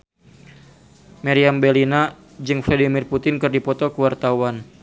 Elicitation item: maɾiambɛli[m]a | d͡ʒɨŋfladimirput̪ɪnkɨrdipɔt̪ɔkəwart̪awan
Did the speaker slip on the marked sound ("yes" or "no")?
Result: yes